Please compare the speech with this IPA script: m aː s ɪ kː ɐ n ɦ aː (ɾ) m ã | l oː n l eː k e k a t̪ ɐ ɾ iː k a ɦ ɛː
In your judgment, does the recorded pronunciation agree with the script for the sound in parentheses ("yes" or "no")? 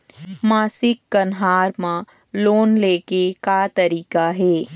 yes